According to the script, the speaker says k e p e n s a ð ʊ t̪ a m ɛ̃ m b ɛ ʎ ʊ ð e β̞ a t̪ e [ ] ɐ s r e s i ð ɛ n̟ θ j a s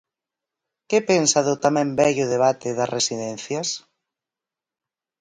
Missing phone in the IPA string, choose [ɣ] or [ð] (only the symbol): ð